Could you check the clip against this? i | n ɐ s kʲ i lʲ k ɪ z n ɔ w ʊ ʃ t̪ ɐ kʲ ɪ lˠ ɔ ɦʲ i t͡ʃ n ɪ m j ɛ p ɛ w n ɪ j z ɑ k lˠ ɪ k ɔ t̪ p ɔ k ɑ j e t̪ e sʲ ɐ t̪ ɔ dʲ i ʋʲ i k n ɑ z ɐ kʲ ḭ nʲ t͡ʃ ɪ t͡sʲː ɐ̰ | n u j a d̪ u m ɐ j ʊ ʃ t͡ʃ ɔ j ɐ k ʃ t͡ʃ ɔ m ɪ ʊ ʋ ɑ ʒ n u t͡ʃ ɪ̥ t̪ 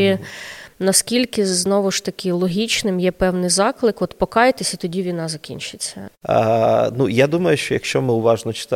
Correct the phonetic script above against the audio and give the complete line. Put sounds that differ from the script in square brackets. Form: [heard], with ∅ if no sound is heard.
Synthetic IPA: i | n ɐ s kʲ i lʲ k ɪ z n ɔ [ʋ] ʊ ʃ t̪ ɐ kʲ ɪ lˠ ɔ ɦʲ i t͡ʃ n ɪ m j ɛ p ɛ w n ɪ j z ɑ k lˠ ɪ k ɔ t̪ p ɔ k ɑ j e t̪ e sʲ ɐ t̪ ɔ dʲ i ʋʲ i [∅] n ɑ z ɐ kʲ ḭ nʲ t͡ʃ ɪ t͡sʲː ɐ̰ | n u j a d̪ u m ɐ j ʊ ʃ t͡ʃ ɔ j ɐ k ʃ t͡ʃ ɔ m ɪ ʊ ʋ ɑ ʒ n [ɔ] t͡ʃ ɪ̥ t̪